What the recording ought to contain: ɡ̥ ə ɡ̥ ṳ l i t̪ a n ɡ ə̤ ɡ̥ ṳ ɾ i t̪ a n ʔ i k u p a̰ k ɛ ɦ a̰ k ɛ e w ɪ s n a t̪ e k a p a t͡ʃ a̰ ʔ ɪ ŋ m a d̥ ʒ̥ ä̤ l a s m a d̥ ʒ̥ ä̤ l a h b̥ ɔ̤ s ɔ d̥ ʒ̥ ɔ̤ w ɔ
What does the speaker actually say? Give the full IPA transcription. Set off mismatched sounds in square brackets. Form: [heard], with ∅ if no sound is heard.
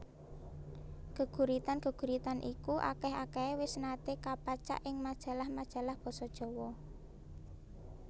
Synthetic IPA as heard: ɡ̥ ə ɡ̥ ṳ [ɾ] i t̪ a n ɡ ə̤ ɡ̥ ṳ ɾ i t̪ a n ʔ i k u [ʔ] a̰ k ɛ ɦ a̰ k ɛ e w ɪ s n a t̪ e k a p a t͡ʃ a̰ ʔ ɪ ŋ m a d̥ ʒ̥ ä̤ l a [h] m a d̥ ʒ̥ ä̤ l a h b̥ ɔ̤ s ɔ d̥ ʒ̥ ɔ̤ w ɔ